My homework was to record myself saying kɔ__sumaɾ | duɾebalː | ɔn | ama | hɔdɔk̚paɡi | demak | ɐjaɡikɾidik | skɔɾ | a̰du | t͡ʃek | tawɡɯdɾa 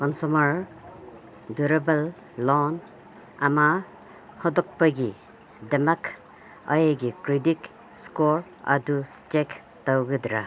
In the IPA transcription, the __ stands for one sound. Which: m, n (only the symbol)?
n